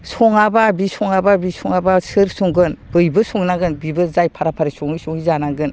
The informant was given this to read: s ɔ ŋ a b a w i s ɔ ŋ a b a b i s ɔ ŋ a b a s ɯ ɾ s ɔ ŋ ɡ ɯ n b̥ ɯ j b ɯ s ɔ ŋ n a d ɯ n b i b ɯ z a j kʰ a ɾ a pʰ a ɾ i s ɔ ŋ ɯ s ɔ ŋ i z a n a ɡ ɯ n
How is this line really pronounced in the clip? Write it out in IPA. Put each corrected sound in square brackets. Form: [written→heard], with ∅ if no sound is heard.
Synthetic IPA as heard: s ɔ ŋ a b a [w→b] i s ɔ ŋ a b a b i s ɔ ŋ a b a s ɯ ɾ s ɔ ŋ ɡ ɯ n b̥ ɯ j b ɯ s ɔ ŋ n a [d→ɡ] ɯ n b i b ɯ z a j [kʰ→pʰ] a ɾ a pʰ a ɾ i s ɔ ŋ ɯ s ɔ ŋ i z a n a ɡ ɯ n